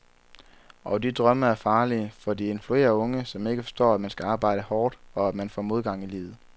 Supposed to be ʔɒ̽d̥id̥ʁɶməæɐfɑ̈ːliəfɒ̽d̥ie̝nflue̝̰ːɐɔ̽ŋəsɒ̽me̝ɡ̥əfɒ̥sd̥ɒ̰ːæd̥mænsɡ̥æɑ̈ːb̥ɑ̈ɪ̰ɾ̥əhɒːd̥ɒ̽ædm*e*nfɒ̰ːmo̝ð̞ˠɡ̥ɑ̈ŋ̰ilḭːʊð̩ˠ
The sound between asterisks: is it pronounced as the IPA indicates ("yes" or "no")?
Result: no